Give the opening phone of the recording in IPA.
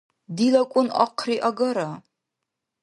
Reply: d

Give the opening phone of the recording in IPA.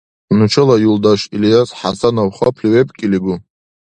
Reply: n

